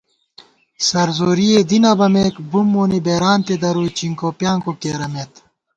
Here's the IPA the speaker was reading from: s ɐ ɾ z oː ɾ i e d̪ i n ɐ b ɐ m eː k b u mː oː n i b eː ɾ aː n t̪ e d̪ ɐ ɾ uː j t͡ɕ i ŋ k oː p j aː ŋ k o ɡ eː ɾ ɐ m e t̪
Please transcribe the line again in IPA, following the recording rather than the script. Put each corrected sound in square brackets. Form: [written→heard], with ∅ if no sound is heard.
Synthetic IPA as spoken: s ɐ ɾ z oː ɾ i e d̪ i n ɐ b ɐ m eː k b u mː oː n i b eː ɾ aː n t̪ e d̪ ɐ ɾ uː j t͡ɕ i ŋ k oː p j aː ŋ k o [ɡ→k] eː ɾ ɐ m e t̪